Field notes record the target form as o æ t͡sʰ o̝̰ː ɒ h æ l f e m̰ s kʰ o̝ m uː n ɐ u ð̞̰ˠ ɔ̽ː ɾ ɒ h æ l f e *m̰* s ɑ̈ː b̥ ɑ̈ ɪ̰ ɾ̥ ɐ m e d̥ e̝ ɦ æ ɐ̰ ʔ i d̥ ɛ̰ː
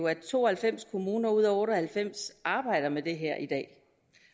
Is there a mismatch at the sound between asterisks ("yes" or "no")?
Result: no